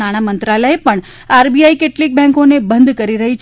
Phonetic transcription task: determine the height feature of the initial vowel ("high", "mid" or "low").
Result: low